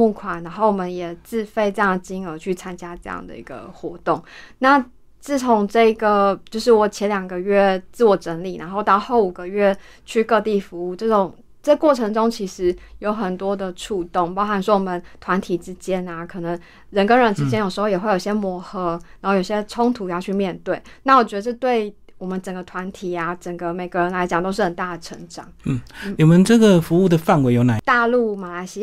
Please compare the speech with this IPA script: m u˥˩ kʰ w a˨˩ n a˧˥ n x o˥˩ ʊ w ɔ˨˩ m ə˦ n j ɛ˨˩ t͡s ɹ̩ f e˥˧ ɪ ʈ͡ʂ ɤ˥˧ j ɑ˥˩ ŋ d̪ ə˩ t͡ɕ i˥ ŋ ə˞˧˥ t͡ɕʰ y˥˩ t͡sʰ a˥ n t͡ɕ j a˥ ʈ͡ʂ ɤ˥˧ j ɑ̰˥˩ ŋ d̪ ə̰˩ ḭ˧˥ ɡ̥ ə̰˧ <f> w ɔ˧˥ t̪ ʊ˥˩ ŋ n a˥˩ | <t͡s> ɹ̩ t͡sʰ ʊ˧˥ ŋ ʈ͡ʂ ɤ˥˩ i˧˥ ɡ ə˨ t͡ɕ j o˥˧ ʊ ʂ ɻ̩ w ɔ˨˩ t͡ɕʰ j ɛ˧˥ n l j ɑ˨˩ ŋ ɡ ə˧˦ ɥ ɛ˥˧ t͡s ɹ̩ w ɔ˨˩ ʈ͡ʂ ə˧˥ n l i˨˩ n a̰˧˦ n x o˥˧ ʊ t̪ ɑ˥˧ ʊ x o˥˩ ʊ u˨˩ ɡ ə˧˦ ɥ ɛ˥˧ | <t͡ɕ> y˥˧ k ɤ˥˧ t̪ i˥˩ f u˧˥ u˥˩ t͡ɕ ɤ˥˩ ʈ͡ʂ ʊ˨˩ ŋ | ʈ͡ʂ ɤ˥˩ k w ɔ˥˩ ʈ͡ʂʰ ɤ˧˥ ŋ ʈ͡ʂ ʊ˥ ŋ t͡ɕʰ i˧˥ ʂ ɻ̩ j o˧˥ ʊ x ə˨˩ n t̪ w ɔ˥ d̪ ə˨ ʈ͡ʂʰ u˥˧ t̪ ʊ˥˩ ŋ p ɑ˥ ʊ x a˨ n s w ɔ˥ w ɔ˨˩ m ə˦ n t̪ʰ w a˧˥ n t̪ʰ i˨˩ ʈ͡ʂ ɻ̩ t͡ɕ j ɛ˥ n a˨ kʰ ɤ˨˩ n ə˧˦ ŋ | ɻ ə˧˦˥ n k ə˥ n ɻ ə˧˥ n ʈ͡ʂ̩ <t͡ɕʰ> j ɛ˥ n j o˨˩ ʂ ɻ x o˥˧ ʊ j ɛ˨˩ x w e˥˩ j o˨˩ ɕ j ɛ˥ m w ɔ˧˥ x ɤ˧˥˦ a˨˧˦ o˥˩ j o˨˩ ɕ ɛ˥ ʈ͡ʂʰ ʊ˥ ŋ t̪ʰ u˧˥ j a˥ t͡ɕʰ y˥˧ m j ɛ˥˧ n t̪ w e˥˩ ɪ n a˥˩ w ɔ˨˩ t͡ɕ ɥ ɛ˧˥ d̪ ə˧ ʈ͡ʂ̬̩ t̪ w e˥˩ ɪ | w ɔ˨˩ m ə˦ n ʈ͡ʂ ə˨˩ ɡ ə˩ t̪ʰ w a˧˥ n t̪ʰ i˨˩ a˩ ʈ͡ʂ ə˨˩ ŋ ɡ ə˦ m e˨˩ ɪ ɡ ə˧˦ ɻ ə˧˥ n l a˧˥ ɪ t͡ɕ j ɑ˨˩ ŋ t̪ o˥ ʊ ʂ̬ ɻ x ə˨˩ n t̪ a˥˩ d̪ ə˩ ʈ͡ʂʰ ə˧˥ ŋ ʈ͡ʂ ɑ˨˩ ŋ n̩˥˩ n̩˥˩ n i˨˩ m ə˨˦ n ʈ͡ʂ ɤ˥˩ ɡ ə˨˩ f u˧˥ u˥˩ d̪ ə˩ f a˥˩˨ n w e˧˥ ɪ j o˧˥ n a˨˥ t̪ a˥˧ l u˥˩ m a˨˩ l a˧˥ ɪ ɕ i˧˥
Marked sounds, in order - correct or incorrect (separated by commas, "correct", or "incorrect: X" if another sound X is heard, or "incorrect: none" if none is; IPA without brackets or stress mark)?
incorrect: x, correct, incorrect: t͡ɕʰ, incorrect: t͡ɕ